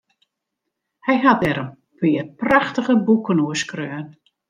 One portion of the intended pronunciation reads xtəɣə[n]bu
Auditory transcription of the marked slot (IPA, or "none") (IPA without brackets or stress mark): none